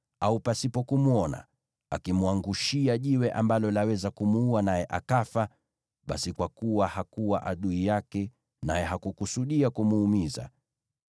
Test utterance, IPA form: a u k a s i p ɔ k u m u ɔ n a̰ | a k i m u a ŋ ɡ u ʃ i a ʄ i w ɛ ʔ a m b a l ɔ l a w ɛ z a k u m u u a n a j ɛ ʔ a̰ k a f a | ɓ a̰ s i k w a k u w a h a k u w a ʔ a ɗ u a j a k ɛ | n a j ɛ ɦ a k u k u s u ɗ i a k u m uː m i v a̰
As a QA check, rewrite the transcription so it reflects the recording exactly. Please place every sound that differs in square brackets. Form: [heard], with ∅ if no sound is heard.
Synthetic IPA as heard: a u [p] a s i p ɔ k u m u ɔ n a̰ | a k i m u a ŋ ɡ u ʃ i a ʄ i w ɛ ʔ a m b a l ɔ l a w ɛ z a k u m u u a n a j ɛ ʔ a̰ k a f a | ɓ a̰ s i k w a k u w a h a k u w a ʔ a ɗ u [i] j a k ɛ | n a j ɛ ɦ a k u k u s u ɗ i a k u m uː m i [z] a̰